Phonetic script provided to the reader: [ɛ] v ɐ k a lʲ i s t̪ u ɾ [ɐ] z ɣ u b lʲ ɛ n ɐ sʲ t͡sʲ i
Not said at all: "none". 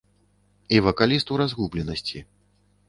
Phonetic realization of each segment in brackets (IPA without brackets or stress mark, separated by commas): i, a